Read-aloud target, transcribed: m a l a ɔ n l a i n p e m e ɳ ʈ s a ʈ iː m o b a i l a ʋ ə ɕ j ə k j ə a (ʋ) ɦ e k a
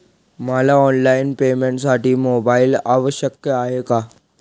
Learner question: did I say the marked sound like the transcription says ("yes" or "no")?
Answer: no